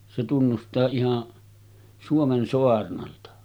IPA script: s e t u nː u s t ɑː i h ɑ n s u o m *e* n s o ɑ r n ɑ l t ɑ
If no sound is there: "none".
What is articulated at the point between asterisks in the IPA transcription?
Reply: e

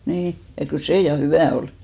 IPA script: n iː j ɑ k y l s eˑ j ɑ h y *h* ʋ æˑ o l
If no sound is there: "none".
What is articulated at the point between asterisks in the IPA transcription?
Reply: none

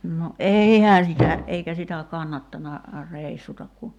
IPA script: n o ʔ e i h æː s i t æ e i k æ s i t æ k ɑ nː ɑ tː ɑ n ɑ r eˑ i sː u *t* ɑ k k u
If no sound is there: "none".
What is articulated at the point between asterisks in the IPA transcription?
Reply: t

